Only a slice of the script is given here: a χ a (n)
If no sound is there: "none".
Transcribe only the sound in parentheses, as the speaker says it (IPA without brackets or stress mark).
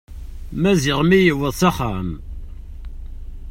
m